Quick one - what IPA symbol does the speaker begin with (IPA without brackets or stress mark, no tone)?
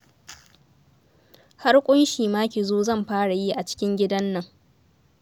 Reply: h